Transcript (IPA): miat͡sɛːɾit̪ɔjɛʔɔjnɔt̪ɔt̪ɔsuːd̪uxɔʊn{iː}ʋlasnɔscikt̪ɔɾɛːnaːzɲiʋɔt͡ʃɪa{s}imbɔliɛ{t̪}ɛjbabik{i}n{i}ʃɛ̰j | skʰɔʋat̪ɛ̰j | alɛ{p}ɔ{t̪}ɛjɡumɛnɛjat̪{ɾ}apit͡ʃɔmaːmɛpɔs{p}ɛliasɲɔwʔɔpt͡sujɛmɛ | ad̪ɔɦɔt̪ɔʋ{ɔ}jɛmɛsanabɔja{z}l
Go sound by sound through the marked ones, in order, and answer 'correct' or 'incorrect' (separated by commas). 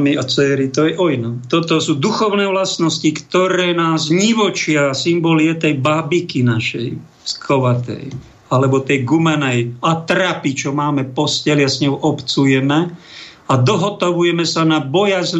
incorrect, correct, correct, correct, incorrect, incorrect, correct, correct, incorrect, incorrect, correct